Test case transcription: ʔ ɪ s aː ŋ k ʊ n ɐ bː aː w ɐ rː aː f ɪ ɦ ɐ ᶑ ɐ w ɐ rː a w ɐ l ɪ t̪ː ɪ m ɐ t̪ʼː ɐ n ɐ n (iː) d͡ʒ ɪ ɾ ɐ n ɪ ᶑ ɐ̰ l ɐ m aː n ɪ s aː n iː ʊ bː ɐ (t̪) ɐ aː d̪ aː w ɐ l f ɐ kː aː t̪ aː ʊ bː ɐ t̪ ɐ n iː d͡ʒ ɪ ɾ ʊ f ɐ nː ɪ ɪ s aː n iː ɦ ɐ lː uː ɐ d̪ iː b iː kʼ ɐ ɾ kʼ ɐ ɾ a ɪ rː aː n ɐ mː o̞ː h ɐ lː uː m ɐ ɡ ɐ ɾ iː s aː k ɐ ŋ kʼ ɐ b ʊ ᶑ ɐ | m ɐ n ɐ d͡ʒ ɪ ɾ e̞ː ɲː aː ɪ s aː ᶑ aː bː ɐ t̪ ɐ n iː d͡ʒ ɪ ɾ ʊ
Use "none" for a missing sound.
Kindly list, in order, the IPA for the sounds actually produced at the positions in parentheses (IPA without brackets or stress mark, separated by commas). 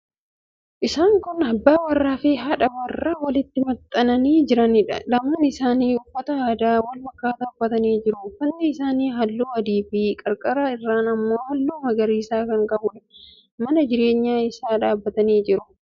iː, t̪